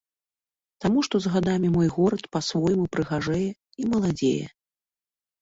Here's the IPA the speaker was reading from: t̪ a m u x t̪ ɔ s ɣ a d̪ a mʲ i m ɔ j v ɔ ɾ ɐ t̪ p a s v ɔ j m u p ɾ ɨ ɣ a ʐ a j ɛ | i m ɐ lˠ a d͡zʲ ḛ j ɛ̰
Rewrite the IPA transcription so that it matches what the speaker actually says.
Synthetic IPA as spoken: t̪ a m u ʂ t̪ ɔ z ɣ a d̪ a mʲ i m ɔ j ɣ ɔ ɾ ɐ t̪ p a s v ɔ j m u p ɾ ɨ ɣ a ʐ ɛ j ɛ | i m ɐ lˠ a d͡zʲ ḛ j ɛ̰